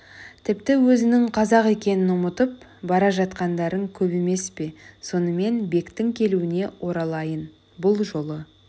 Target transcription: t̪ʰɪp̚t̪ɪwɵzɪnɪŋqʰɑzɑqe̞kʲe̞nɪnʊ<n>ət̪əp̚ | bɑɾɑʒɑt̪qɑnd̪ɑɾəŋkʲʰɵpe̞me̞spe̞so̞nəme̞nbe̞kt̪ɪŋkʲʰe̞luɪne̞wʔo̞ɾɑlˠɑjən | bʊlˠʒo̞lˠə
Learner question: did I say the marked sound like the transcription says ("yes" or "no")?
no